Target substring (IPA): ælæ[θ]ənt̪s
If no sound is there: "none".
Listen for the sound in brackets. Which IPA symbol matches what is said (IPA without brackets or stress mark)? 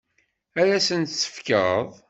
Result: s